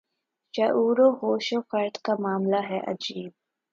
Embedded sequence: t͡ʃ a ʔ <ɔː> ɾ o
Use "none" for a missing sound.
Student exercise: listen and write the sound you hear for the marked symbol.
uː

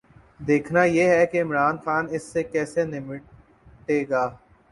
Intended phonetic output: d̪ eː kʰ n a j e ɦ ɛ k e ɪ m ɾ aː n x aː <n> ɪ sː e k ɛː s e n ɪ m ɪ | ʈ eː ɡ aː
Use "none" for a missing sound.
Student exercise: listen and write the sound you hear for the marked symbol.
n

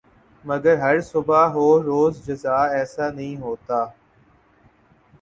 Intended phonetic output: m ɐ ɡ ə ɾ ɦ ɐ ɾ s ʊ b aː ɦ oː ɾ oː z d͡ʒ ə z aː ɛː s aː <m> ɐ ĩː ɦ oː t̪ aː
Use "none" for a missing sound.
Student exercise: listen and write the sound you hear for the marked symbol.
n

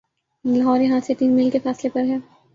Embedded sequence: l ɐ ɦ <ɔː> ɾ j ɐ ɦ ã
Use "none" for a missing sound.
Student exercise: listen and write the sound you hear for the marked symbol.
ɔː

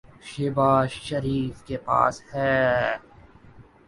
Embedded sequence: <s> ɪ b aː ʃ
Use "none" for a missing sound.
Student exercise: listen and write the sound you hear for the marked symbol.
ʃ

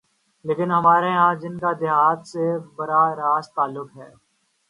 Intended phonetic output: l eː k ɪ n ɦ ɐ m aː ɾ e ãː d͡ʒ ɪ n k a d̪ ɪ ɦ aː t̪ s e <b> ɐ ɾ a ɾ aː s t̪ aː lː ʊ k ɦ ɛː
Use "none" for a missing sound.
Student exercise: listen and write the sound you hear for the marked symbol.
b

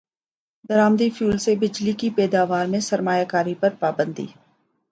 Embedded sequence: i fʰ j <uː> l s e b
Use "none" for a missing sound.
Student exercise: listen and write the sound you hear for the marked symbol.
uː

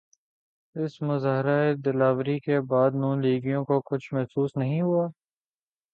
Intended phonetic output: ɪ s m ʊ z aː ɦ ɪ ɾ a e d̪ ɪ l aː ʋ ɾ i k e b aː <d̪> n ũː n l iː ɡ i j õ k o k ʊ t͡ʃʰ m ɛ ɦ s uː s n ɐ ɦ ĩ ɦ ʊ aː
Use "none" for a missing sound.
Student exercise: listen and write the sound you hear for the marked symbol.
d̪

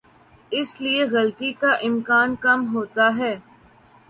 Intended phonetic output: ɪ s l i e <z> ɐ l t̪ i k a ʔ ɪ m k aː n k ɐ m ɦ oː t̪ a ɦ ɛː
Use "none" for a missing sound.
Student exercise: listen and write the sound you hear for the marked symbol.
ɣ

